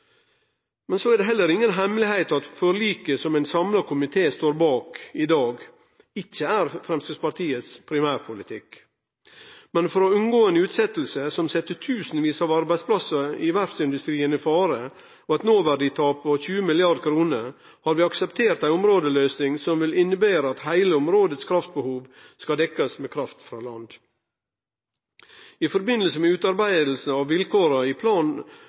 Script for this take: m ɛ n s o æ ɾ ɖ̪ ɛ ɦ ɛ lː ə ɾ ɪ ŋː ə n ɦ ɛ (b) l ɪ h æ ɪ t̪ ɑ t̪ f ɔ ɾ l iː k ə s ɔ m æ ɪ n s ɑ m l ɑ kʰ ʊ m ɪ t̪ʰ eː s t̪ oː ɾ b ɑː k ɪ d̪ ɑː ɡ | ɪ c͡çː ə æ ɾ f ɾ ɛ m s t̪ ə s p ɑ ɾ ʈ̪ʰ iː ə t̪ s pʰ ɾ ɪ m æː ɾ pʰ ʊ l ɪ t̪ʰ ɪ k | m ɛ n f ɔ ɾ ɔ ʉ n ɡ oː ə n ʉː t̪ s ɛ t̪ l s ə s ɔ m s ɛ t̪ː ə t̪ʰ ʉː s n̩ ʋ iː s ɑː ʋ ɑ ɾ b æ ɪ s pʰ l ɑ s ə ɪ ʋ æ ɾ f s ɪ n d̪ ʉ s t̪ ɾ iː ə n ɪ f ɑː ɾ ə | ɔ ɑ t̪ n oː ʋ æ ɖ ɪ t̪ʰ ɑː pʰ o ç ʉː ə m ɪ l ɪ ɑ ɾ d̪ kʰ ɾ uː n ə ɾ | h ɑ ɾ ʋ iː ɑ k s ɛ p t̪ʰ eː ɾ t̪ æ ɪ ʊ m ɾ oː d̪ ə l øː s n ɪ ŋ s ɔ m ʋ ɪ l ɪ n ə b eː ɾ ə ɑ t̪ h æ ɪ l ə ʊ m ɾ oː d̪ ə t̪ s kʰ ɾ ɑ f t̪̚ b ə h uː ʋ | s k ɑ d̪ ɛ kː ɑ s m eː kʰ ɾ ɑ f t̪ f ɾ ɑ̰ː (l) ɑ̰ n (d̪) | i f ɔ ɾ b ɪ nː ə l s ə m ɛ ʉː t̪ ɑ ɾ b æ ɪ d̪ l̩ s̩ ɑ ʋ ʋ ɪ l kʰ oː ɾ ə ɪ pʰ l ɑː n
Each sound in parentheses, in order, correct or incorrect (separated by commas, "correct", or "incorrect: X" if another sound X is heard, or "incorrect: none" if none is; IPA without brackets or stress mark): incorrect: m, correct, correct